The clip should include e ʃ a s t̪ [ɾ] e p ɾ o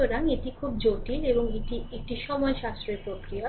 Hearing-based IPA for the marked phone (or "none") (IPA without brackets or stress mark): ɾ